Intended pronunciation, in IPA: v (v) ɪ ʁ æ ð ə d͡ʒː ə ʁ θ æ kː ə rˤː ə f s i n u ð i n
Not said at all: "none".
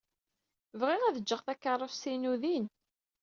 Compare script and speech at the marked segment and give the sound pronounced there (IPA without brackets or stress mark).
ʁ